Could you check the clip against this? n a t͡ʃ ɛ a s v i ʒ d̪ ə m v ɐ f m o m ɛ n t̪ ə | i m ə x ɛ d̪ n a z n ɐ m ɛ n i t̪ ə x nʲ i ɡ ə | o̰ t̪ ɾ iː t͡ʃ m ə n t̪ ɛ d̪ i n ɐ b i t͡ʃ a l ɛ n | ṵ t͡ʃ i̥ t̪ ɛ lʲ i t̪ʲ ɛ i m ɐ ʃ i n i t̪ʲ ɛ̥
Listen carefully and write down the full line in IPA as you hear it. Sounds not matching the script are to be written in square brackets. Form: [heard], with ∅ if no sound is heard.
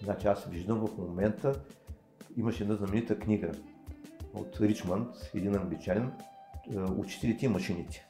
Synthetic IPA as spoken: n a t͡ʃ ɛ a s v i ʒ d̪ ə m v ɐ f m o m ɛ n t̪ ə | i m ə [ʃ] ɛ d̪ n a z n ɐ m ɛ n i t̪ ə [k] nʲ i ɡ ə | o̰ t̪ ɾ [i] t͡ʃ m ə n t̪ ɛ d̪ i n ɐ b i t͡ʃ a l ɛ n | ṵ t͡ʃ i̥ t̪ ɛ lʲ i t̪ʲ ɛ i m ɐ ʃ i n i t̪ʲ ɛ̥